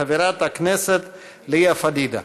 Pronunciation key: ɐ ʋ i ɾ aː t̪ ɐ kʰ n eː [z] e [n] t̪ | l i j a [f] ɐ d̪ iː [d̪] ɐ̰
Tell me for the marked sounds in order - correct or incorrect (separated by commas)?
incorrect, incorrect, correct, correct